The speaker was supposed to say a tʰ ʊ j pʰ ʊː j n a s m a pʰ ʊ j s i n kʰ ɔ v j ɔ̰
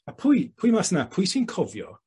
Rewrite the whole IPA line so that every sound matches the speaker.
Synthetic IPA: a pʰ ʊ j pʰ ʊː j m a s n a pʰ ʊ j s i n kʰ ɔ v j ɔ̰